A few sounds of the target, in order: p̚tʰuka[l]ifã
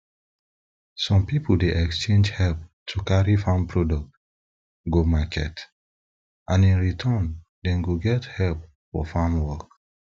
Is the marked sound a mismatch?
yes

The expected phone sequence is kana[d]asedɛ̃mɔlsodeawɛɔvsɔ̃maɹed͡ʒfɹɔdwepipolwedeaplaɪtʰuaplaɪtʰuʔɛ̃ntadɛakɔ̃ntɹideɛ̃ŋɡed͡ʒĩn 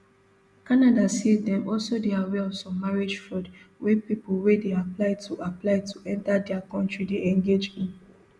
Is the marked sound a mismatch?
no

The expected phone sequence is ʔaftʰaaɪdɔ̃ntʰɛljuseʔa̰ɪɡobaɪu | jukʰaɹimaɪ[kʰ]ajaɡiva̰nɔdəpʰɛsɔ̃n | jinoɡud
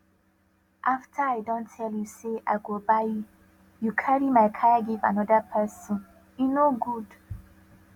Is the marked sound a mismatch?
no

